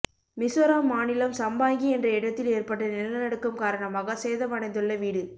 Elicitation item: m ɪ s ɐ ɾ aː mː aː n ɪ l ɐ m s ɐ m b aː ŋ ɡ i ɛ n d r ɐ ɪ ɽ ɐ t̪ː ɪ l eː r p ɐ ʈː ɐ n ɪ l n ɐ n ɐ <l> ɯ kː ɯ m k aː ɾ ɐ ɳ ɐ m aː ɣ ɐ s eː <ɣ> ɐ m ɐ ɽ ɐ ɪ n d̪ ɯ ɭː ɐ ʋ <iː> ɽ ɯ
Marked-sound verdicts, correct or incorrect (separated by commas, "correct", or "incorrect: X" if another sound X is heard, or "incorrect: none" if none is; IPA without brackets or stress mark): incorrect: ɽ, incorrect: ð, correct